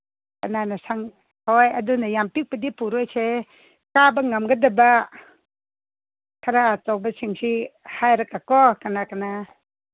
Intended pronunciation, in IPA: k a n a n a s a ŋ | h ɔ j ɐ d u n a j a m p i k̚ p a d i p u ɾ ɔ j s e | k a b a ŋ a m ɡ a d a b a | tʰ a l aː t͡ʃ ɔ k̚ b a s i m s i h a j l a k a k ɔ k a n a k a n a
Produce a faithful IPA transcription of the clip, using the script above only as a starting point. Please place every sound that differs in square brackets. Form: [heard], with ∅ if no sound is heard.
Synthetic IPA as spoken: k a n a n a s a ŋ | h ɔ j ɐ d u n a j a m p i k̚ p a d i p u ɾ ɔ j s e | k a b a ŋ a m ɡ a d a b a | [kʰ] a [ɾ] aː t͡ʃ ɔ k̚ b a s i [ŋ] s i h a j [ɾ] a k a k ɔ k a n a k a n a